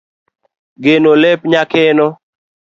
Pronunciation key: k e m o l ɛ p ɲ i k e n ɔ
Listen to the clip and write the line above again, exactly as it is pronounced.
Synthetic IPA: ɡ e n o l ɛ p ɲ a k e n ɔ

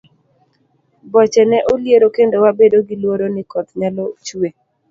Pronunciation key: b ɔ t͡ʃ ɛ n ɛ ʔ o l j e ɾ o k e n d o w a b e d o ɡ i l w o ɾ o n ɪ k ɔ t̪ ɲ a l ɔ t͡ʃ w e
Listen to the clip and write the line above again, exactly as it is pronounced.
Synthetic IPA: b ɔ t͡ʃ ɛ n ɛ ʔ o l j e ɾ o k e n d o w a b e d o ɡ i l w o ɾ o n ɪ k ɔ t̪ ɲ a l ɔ t͡ʃ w e

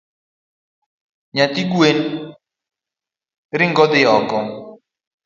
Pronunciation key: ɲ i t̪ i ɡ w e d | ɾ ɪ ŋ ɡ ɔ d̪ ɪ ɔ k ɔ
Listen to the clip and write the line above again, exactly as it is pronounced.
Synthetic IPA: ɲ a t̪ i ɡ w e n | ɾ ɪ ŋ ɡ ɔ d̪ ɪ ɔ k ɔ

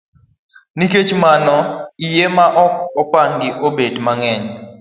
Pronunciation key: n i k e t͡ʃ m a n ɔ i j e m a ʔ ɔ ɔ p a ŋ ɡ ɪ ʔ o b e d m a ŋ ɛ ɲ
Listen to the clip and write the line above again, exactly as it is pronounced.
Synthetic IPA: n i k e t͡ʃ m a n ɔ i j e m a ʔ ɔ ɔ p a ŋ ɡ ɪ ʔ o b e d m a ŋ ɛ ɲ

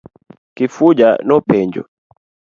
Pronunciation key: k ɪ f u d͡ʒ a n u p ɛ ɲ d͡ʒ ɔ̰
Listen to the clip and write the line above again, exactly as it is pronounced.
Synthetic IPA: k i f u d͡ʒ a n ɔ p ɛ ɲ d͡ʒ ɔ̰

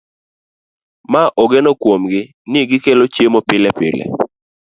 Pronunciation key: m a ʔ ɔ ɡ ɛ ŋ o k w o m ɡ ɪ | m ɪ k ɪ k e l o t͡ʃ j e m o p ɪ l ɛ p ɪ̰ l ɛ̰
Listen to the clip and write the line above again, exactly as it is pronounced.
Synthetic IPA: m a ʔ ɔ ɡ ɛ n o k w o m ɡ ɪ | n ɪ ɡ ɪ k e l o t͡ʃ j e m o p ɪ l ɛ p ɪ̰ l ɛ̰

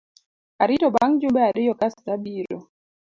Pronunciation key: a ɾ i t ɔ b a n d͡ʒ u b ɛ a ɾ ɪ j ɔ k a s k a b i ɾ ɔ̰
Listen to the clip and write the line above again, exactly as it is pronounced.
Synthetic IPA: a ɾ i t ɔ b a ŋ d͡ʒ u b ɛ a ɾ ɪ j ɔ k a s t a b i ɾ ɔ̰

